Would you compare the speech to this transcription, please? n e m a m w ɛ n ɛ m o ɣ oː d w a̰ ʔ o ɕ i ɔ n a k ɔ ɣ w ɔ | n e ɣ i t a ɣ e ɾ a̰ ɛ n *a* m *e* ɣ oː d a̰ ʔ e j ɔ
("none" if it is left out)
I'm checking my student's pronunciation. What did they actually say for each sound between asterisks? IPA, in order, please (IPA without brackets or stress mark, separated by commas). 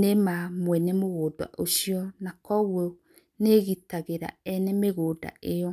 ɛ, e